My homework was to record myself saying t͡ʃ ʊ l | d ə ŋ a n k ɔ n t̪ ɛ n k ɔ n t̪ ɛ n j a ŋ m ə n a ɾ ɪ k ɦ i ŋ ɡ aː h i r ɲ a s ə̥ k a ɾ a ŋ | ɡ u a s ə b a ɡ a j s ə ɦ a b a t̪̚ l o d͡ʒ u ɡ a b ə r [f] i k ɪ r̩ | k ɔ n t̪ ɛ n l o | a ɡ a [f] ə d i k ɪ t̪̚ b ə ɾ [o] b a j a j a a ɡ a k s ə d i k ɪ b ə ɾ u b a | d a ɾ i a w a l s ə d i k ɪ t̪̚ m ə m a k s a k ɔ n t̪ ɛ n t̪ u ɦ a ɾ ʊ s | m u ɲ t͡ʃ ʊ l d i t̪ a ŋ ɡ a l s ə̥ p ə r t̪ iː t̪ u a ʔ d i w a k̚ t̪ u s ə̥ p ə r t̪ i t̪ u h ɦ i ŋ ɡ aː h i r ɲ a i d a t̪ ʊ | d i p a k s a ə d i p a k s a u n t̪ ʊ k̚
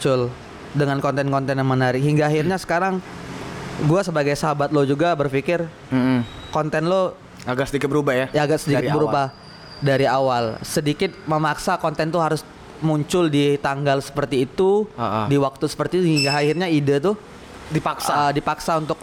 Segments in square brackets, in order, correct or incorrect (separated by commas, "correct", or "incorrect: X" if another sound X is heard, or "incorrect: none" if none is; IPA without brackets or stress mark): correct, incorrect: s, incorrect: u